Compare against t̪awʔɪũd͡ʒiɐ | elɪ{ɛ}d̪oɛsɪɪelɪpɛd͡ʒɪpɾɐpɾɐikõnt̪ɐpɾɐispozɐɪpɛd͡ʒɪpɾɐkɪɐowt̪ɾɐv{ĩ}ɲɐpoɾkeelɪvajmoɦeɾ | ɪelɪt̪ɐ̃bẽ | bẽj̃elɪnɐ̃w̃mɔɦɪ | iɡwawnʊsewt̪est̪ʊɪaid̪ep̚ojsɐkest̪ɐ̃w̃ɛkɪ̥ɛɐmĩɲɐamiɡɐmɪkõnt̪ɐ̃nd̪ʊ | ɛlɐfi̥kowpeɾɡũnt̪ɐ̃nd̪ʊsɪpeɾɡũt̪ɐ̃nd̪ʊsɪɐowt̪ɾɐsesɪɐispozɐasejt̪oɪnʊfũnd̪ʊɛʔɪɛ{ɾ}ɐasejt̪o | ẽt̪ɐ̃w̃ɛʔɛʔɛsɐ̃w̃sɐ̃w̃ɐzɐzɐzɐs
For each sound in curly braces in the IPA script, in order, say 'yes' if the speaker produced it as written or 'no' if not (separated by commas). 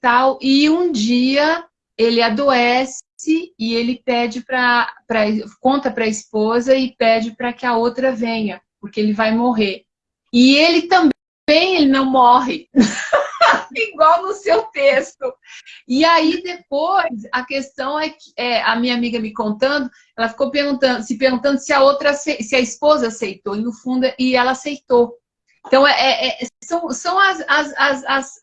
no, no, no